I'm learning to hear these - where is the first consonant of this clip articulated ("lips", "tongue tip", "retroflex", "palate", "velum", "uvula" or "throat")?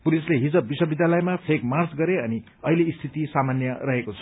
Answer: lips